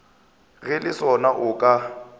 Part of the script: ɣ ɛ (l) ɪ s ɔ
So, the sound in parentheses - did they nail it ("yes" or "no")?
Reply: yes